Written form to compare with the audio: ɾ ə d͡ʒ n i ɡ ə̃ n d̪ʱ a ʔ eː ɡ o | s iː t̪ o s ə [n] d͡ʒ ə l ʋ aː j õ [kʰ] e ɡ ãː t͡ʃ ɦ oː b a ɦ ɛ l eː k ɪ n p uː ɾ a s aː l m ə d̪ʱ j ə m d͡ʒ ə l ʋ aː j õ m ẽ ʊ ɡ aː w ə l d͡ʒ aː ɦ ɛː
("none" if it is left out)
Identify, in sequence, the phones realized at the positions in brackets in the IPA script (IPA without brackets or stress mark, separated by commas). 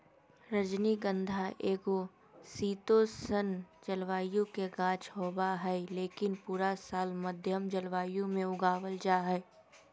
n, k